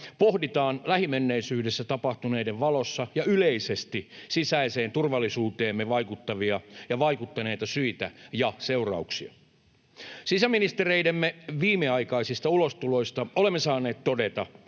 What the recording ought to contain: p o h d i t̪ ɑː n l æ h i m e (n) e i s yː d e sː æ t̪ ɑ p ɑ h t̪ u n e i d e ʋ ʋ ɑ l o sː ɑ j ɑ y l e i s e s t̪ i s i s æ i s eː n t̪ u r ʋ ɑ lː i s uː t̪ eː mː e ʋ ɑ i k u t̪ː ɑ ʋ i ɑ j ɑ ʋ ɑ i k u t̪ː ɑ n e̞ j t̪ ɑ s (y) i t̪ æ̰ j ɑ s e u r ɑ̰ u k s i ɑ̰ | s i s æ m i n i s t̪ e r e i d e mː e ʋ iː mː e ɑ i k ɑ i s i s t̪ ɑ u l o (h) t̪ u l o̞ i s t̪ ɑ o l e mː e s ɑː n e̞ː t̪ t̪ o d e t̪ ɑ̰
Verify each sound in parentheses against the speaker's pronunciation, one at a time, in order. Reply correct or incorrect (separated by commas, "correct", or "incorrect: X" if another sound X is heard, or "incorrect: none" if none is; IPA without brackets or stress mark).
incorrect: nː, correct, incorrect: s